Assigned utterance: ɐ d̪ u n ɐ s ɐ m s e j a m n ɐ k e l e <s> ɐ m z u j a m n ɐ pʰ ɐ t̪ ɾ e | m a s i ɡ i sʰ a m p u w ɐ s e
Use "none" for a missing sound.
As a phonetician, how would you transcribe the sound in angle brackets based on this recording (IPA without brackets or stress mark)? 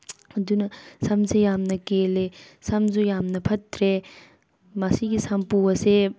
s